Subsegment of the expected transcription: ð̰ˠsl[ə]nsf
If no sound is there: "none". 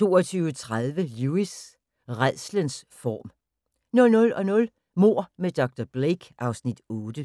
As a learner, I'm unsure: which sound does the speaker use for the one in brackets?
ə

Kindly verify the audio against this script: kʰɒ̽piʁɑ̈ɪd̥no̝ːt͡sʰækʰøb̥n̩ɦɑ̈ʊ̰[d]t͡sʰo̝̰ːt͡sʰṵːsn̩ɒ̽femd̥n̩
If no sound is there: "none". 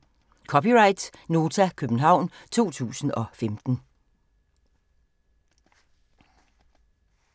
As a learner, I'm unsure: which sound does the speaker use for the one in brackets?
n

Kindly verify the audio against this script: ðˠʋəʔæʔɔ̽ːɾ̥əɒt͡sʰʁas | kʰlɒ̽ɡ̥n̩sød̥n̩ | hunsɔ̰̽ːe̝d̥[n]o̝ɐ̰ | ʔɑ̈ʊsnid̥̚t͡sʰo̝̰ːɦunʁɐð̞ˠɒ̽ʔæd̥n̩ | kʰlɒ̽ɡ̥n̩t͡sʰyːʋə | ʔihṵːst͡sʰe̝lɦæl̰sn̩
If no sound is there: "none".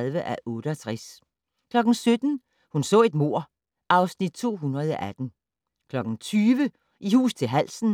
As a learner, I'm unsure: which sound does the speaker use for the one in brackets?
m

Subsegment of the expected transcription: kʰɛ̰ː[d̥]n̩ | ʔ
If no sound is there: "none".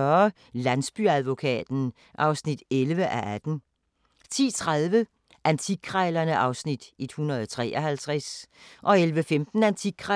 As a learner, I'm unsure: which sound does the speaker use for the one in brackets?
d̥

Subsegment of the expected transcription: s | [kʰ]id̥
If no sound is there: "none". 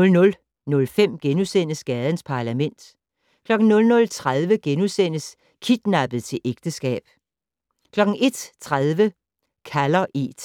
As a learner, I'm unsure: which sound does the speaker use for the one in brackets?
kʰ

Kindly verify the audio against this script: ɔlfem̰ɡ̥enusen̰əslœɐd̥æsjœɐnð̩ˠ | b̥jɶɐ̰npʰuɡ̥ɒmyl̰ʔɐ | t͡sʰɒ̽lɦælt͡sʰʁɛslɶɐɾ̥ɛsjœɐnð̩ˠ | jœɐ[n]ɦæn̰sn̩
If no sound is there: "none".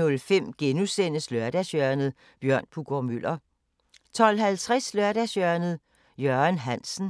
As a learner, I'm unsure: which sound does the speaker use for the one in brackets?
n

